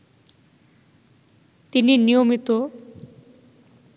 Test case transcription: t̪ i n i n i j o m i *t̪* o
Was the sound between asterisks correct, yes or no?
yes